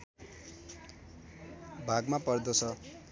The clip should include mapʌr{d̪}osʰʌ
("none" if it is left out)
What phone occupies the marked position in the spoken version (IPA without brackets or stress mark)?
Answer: d̪